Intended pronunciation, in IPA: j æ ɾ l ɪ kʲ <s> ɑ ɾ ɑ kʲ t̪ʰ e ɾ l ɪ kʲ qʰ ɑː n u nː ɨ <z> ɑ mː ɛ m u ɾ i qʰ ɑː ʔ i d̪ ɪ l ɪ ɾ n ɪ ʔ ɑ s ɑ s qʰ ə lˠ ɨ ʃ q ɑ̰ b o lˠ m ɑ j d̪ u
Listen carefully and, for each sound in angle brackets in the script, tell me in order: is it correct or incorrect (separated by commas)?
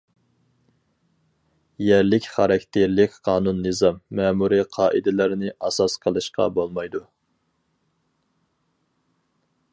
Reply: incorrect, correct